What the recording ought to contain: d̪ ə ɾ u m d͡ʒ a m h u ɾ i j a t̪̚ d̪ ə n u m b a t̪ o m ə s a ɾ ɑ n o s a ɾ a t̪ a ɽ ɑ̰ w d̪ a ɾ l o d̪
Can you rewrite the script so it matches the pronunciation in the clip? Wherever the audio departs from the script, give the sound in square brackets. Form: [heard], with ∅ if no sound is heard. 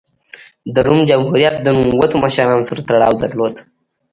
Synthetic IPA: d̪ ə ɾ u m d͡ʒ a m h u ɾ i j a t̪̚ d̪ ə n u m [w] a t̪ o m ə [ʃ] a ɾ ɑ n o s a ɾ a t̪ a ɽ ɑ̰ w d̪ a ɾ l o d̪